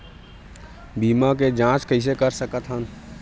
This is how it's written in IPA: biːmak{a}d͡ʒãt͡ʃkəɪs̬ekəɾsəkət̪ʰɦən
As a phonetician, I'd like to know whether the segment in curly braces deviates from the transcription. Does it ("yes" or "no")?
yes